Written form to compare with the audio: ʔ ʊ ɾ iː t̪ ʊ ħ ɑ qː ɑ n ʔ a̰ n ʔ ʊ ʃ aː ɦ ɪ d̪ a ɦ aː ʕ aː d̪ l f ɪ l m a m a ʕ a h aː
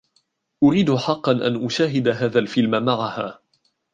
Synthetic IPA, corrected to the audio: ʔ ʊ ɾ iː d̪ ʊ ħ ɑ qː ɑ n ʔ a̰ n ʔ ʊ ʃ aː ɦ ɪ d̪ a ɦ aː ð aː l f ɪ l m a m a ʕ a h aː